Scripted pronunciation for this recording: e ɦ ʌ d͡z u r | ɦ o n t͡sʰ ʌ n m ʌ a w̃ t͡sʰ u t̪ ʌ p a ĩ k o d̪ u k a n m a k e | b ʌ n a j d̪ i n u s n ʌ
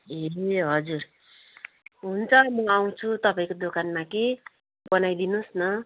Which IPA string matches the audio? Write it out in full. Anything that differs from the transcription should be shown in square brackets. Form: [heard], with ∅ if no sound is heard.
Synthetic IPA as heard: e ɦ ʌ d͡z u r | ɦ [u] n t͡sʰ ʌ [∅] m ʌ a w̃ t͡sʰ u t̪ ʌ p a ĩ k o d̪ [o] k a n m a k e | b ʌ n a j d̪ i n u s n ʌ

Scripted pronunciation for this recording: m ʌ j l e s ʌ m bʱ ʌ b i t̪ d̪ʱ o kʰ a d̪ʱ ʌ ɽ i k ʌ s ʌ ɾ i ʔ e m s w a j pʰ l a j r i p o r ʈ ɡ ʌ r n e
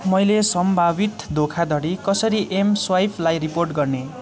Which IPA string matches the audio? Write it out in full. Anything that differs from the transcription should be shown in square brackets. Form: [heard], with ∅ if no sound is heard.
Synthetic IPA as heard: m ʌ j l e s ʌ m bʱ [a] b i t̪ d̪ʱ o kʰ a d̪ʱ ʌ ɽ i k ʌ s ʌ ɾ i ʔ e m s w a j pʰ l a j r i p o r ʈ ɡ ʌ r n e

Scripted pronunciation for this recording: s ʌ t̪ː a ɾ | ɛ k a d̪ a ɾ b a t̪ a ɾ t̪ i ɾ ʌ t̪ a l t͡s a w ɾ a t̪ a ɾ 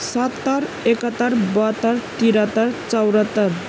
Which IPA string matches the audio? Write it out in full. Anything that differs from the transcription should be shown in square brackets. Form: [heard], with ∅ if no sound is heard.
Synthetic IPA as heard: s [a] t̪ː a ɾ | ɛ k a [t̪] a ɾ b a t̪ a ɾ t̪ i ɾ [a] t̪ a [ɾ] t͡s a w ɾ a t̪ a ɾ

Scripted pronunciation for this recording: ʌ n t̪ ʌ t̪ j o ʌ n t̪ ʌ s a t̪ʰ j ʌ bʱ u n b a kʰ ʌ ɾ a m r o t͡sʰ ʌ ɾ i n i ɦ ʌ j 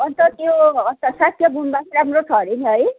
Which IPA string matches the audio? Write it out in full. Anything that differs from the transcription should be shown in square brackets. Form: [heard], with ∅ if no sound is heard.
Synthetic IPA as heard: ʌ n t̪ ʌ t̪ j o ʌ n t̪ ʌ s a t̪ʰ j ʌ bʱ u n b a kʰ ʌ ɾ a m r o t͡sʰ ʌ ɾ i n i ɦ ʌ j

